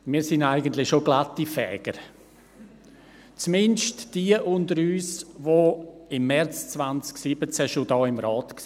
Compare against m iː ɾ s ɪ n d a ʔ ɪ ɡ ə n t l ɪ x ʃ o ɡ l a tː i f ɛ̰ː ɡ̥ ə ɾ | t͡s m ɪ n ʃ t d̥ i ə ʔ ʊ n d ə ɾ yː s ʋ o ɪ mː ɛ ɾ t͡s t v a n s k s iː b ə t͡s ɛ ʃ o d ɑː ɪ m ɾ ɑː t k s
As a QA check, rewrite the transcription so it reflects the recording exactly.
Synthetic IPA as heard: m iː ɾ s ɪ n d a ɪ ɡ ə n t l ɪ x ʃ o ɡ l a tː i f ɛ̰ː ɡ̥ ə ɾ | t͡s m ɪ n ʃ t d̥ i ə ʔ ʊ n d ə ɾ yː s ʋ o ɪ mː ɛ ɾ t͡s t͡s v a n t͡s k s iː b ə t͡s ɛ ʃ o d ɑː ɪ m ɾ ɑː t k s